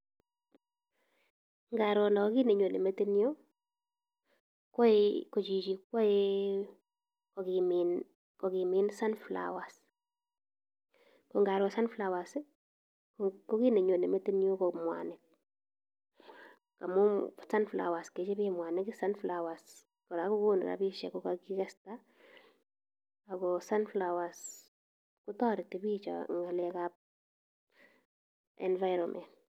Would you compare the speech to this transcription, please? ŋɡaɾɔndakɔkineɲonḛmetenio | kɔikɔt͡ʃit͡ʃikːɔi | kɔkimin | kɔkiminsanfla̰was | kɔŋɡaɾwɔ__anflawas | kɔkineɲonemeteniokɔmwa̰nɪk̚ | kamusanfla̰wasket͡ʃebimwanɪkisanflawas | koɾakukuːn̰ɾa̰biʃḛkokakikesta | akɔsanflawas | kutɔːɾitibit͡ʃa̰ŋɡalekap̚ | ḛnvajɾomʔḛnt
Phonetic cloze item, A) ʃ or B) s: B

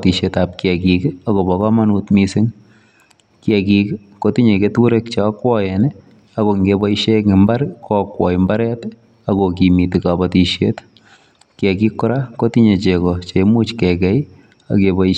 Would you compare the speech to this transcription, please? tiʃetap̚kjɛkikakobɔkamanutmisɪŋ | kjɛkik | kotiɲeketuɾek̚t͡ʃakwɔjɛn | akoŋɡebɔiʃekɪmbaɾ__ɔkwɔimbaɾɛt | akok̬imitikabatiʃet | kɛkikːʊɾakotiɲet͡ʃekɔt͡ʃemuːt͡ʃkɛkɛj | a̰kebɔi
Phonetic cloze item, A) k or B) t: A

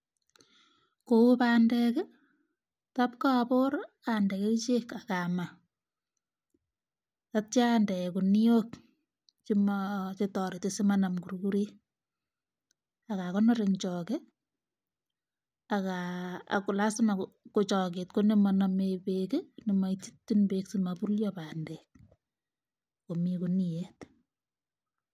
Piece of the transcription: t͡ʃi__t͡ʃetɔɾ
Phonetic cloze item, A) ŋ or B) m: B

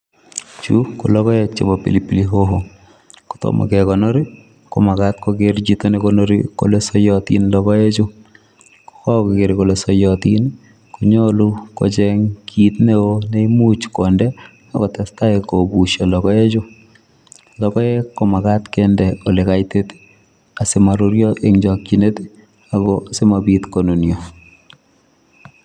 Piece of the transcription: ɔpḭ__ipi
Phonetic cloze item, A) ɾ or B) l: B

